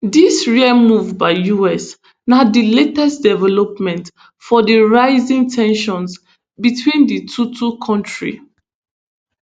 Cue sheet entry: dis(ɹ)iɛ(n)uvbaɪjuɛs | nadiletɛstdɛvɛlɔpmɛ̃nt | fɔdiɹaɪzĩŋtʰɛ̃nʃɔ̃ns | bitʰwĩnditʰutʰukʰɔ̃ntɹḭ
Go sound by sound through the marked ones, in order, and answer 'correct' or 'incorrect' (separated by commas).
correct, incorrect